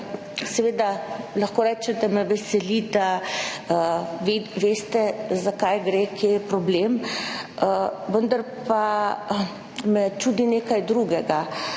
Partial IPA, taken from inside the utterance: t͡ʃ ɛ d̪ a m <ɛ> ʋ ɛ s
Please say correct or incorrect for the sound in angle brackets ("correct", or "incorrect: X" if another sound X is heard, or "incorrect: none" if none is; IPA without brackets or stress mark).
correct